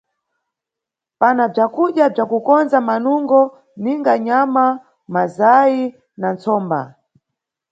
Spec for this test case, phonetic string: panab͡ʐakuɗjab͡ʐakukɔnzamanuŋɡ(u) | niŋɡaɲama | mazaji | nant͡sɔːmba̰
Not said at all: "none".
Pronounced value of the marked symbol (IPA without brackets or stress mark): ɔ